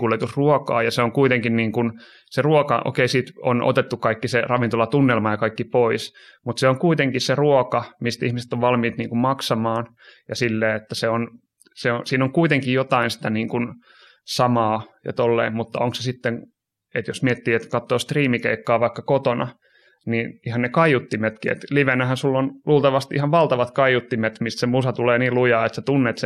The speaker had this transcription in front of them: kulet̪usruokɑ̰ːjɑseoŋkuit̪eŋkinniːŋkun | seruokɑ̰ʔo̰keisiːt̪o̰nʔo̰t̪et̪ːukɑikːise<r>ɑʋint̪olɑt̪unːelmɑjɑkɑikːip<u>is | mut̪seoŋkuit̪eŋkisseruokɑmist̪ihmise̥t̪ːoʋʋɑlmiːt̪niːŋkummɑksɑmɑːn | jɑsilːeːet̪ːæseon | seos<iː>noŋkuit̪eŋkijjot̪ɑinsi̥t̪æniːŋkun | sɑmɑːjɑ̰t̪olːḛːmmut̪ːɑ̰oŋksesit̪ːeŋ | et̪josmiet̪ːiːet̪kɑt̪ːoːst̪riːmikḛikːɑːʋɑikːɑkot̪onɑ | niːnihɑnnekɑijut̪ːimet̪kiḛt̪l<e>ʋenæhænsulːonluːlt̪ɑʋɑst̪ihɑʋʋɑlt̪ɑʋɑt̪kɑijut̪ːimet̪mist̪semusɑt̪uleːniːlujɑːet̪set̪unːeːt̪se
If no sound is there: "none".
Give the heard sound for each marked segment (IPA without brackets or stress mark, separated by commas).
r, o, iː, i